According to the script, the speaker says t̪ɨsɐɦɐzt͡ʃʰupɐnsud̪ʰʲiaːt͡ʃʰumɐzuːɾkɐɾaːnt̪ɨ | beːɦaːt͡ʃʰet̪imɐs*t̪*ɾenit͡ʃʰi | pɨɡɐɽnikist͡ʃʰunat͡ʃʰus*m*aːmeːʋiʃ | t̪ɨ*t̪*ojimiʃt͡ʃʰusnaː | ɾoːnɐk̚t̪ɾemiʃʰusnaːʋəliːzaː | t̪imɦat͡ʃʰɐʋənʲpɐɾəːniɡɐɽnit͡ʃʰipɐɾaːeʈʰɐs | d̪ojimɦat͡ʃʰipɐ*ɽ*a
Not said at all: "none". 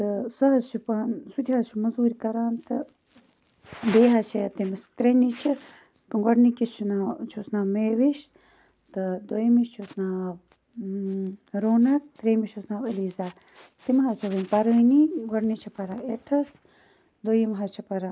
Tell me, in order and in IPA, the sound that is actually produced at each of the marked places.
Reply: t̪, n, d̪, ɾ

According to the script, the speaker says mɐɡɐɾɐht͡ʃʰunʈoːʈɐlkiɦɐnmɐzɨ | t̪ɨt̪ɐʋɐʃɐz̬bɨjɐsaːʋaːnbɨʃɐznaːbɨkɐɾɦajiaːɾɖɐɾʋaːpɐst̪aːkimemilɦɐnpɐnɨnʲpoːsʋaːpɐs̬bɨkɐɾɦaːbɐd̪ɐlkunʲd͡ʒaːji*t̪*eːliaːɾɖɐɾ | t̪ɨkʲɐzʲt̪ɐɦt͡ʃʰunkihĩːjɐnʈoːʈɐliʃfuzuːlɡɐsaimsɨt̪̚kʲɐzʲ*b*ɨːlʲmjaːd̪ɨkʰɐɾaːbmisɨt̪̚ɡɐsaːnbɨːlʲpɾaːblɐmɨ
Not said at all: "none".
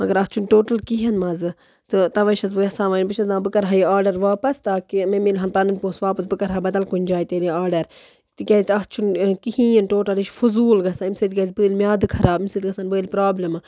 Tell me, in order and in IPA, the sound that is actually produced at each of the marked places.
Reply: t̪, b

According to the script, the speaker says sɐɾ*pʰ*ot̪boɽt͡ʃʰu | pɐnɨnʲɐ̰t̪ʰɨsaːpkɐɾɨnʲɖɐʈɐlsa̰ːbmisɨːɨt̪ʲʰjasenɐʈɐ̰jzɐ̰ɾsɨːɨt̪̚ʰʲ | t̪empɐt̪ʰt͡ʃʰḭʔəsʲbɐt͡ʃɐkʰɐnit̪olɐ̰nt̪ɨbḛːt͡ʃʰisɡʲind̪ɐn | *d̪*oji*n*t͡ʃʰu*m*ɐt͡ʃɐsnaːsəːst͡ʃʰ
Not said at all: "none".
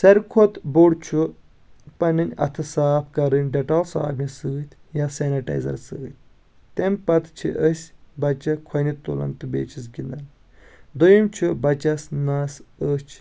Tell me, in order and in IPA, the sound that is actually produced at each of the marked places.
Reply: kʰ, d̪, m, b

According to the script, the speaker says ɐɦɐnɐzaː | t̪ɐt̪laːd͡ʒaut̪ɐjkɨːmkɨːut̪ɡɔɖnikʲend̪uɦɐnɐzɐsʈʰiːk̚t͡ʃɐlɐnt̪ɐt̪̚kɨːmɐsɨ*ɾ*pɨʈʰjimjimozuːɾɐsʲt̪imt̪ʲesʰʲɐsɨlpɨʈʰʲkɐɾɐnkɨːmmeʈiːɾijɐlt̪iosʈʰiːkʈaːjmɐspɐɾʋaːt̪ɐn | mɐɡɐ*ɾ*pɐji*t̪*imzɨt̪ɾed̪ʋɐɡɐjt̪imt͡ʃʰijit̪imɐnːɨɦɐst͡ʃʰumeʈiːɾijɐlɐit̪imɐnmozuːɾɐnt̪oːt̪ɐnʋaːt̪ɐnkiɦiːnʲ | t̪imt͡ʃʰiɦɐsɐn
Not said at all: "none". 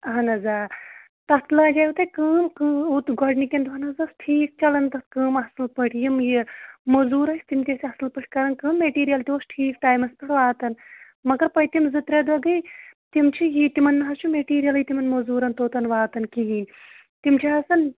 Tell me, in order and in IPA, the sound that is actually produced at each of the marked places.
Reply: l, ɾ, t̪

